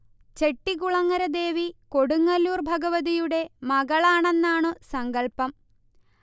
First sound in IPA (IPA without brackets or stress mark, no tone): t͡ɕ